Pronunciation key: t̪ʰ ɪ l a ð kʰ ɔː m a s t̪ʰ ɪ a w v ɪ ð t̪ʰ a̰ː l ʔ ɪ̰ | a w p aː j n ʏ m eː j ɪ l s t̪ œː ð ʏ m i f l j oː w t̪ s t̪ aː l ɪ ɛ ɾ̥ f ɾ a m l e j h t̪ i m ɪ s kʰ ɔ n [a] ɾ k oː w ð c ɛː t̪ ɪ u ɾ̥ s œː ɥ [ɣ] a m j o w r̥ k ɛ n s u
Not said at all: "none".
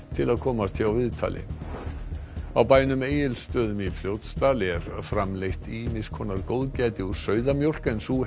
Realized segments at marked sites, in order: a, ð

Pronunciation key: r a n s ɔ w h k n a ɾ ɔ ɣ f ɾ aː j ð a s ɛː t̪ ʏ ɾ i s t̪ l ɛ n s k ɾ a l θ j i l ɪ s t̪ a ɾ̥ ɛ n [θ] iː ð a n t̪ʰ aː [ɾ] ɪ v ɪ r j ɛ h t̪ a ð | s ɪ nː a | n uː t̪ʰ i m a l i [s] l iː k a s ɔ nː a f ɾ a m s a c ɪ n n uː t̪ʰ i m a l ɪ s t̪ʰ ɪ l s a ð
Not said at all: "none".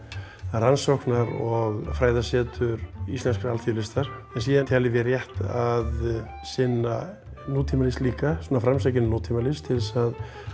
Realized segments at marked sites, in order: s, l, s

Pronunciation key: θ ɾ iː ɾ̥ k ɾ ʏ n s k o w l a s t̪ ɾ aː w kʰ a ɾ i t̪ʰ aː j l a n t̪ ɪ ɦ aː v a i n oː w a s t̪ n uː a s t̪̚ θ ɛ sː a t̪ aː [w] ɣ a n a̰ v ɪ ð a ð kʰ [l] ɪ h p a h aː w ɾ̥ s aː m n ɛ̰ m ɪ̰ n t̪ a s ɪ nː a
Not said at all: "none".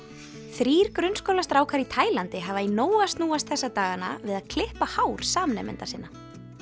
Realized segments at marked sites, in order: none, l

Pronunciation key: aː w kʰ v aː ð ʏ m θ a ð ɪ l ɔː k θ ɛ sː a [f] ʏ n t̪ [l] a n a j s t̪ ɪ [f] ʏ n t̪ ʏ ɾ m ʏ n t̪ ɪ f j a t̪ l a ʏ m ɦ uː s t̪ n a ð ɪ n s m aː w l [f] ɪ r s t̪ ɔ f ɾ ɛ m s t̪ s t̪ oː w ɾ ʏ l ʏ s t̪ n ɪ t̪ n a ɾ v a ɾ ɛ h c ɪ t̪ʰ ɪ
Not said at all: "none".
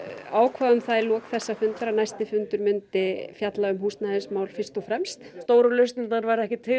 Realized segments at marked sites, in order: f, ɾ, f, f

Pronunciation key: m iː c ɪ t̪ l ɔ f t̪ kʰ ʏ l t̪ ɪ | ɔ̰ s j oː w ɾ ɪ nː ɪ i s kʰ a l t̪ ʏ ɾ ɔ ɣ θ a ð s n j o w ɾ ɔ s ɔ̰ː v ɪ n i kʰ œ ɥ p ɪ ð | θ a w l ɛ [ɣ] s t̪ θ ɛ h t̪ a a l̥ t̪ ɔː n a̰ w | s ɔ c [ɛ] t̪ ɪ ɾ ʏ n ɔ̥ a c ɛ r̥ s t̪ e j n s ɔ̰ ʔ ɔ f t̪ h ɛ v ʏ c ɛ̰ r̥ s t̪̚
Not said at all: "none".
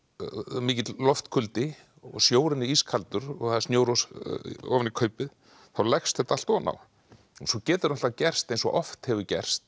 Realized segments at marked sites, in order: x, ɛː

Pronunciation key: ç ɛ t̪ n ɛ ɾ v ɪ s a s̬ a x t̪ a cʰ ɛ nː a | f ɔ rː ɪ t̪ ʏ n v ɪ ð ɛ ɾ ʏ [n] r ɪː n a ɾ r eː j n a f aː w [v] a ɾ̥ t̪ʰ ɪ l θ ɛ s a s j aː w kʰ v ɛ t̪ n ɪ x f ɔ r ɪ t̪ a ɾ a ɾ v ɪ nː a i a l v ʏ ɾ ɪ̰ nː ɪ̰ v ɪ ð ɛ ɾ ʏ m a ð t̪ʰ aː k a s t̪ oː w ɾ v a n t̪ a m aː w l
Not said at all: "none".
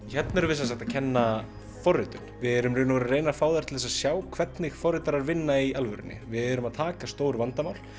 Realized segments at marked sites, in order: m, ð

